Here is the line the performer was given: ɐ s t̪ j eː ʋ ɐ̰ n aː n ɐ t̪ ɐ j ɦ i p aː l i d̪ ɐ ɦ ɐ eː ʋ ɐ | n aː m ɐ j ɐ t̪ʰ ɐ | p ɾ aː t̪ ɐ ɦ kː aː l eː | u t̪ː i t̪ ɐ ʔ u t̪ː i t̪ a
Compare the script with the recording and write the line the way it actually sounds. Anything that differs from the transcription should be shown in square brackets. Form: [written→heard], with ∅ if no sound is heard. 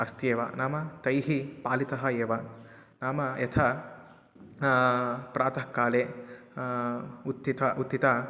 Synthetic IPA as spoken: ɐ s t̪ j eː ʋ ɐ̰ n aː [n→m] ɐ t̪ ɐ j ɦ i p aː l i [d̪→t̪] ɐ ɦ ɐ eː ʋ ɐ | n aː m ɐ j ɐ t̪ʰ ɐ | p ɾ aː t̪ ɐ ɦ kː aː l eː | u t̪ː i t̪ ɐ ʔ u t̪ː i t̪ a